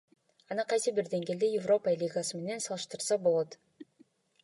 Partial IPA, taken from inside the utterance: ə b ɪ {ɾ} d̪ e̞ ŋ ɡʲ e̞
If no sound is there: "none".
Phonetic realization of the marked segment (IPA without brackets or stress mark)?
ɾ